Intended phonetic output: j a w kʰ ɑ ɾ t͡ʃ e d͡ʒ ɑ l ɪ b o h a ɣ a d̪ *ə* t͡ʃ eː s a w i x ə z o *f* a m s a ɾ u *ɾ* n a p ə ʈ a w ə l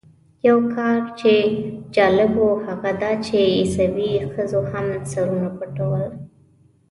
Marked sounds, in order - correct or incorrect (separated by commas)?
incorrect, incorrect, incorrect